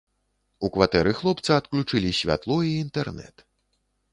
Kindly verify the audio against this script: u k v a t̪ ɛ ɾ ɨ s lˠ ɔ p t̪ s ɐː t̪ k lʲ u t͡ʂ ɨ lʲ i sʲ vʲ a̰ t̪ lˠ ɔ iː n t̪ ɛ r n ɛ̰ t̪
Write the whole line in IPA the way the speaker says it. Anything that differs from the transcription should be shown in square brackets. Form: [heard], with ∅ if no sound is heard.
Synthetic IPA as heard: u k v a t̪ ɛ ɾ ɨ [x] lˠ ɔ p t̪ s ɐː t̪ k lʲ u t͡ʂ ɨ lʲ i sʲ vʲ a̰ t̪ lˠ ɔ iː n t̪ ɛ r n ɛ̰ t̪